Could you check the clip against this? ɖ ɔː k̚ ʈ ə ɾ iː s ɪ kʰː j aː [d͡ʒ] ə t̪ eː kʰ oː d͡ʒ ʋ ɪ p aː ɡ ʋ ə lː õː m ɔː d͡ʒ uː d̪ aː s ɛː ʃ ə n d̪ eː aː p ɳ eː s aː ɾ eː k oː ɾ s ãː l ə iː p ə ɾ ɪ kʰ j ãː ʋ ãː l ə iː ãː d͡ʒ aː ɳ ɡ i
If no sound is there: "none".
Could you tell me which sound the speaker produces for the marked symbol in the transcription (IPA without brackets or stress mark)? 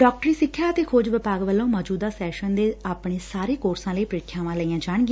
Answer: none